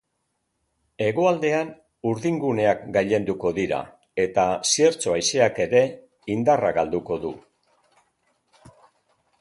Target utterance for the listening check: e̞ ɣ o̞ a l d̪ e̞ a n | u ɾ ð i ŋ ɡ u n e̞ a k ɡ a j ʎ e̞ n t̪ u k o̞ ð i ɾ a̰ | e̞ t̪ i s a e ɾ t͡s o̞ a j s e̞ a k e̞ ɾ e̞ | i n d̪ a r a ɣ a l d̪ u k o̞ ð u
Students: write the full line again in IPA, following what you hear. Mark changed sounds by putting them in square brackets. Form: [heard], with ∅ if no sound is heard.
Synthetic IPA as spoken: e̞ ɣ o̞ a l d̪ e̞ a n | u ɾ ð i ŋ ɡ u n e̞ a k ɡ a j ʎ e̞ n [d̪] u k o̞ ð i ɾ a̰ | e̞ t̪ [a] s [i] e ɾ t͡s o̞ a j s e̞ a k e̞ ɾ e̞ | i n d̪ a r a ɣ a l d̪ u k o̞ ð u